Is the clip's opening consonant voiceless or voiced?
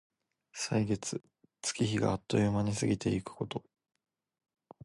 voiceless